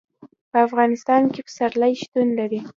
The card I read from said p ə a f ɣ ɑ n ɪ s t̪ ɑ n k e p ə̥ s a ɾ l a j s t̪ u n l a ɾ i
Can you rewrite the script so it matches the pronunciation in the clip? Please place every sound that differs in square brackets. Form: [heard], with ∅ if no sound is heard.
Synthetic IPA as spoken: p ə a f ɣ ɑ n ɪ s t̪ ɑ n k e p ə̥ s a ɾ l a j [ʃ] t̪ u n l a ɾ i